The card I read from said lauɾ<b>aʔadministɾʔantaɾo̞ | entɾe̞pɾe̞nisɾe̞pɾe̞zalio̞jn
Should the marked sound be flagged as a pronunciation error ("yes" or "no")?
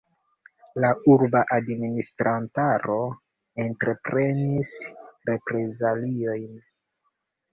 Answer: no